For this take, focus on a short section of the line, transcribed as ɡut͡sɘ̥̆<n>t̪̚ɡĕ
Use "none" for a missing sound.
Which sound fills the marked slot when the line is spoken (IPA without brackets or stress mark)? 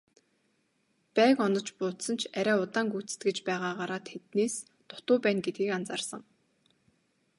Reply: none